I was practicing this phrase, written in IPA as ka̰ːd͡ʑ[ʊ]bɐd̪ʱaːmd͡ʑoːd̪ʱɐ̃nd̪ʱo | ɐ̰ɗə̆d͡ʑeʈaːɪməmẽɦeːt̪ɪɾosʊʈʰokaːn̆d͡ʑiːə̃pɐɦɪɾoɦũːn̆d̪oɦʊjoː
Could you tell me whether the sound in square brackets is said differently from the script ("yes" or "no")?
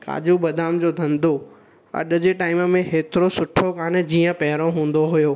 yes